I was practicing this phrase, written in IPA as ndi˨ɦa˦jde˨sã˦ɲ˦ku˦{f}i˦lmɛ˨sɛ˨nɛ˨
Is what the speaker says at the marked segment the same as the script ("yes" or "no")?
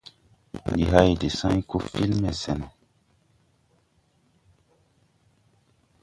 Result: yes